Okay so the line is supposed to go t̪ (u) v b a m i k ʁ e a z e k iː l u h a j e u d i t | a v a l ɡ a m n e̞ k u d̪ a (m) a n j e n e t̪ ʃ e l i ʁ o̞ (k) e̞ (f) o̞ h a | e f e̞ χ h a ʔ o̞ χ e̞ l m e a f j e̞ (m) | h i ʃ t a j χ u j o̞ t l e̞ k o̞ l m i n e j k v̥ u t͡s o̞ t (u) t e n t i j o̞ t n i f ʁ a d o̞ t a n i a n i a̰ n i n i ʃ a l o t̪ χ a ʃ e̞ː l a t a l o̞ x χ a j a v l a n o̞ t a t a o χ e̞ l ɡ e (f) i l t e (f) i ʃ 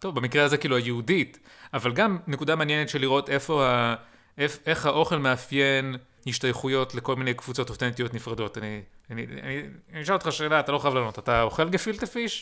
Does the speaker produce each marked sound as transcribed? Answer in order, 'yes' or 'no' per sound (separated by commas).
no, yes, no, yes, no, no, yes, yes